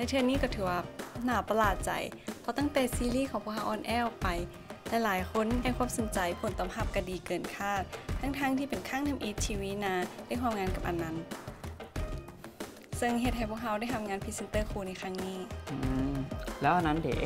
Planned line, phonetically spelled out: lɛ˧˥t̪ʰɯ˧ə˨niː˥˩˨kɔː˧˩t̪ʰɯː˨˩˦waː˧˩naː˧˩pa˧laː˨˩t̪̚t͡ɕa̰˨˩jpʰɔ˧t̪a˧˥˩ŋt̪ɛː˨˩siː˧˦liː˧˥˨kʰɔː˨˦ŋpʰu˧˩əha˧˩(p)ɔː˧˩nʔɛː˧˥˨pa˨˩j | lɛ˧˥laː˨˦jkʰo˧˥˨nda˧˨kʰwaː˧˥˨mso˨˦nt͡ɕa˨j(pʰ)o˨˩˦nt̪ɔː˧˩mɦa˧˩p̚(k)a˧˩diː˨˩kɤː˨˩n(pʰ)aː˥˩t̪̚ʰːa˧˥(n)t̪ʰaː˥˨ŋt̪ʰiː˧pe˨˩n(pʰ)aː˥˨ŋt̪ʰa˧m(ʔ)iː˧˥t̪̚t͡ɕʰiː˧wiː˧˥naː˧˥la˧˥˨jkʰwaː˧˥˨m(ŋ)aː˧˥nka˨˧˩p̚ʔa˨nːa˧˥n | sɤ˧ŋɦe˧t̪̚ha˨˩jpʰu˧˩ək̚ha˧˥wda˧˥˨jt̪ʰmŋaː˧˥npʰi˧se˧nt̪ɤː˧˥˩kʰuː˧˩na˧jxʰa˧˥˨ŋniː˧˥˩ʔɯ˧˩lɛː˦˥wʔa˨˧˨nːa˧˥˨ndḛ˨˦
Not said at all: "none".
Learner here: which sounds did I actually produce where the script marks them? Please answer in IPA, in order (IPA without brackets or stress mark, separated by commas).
ʔ, pʰ, k, kʰ, ŋ, kʰ, ʔ, ŋ